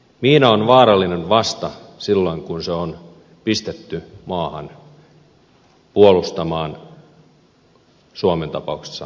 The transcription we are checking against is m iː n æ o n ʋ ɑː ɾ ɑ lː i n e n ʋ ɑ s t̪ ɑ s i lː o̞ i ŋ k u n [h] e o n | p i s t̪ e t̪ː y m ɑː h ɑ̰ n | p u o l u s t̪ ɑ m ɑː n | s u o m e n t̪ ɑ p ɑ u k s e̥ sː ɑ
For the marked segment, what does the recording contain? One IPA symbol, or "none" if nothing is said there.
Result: s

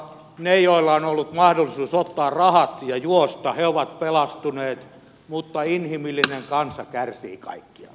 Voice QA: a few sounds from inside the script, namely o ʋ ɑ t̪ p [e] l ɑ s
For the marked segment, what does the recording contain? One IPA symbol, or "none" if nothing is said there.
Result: e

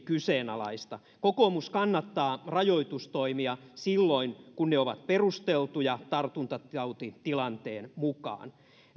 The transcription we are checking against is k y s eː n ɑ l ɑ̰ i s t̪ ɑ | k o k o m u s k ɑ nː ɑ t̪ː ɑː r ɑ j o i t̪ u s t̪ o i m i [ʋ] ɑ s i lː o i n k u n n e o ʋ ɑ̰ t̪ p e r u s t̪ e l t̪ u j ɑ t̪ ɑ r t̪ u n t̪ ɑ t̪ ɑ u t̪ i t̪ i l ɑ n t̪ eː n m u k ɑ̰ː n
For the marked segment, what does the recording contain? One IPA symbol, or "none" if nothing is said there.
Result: none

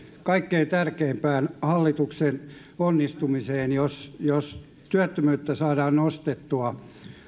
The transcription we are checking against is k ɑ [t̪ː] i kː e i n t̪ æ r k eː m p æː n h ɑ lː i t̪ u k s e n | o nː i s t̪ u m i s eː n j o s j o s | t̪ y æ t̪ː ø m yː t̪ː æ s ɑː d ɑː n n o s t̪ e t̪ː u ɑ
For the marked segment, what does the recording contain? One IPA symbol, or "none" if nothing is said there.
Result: none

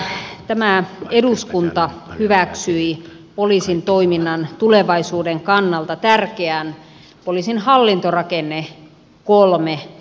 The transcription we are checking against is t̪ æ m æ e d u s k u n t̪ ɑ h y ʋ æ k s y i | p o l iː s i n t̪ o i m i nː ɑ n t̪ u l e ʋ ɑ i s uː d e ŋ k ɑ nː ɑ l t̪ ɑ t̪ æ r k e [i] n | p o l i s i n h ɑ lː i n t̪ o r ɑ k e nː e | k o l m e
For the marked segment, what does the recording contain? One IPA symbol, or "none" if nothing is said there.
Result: æ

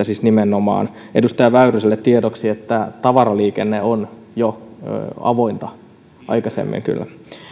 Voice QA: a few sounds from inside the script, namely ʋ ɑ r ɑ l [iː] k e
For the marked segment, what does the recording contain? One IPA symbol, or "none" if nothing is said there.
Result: iː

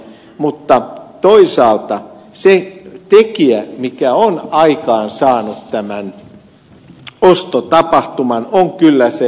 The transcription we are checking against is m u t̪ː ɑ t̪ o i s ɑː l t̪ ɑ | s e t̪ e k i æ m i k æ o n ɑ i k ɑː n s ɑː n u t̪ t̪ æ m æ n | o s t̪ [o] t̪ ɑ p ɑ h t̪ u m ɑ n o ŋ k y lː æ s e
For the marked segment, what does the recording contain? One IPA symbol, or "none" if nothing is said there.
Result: o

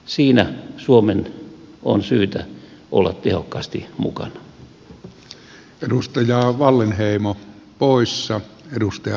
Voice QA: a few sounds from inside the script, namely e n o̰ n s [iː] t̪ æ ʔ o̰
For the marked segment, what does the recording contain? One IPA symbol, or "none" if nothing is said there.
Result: yː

